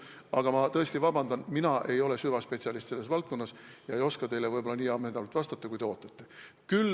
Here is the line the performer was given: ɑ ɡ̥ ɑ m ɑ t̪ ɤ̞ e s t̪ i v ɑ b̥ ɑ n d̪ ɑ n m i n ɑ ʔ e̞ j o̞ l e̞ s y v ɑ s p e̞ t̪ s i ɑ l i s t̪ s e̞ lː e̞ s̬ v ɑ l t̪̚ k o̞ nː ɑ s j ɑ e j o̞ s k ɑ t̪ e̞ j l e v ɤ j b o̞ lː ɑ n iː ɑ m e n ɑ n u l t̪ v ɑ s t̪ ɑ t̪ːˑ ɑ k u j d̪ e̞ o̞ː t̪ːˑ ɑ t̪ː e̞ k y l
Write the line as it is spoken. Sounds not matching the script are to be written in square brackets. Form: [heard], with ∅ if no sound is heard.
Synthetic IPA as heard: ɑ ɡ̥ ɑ m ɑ t̪ ɤ̞ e s t̪ i v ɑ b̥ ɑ n d̪ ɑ n m i n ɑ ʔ e̞ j o̞ l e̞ s y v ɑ s p e̞ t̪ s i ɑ l i s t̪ s e̞ lː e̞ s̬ v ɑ l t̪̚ k o̞ nː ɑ s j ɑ e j o̞ s k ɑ t̪ e̞ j l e v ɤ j b o̞ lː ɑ n iː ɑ m e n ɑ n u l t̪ v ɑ s t̪ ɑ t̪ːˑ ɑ k u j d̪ e̞ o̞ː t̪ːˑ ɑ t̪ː e̞ k y l